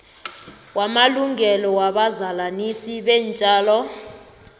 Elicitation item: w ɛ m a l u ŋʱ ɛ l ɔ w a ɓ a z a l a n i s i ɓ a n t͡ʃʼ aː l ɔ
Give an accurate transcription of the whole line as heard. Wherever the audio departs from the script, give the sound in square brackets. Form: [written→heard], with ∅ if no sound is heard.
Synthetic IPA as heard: w [ɛ→a] m a l u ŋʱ ɛ l ɔ w a ɓ a z a l a n i s i ɓ [a→ɛ] n t͡ʃʼ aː l ɔ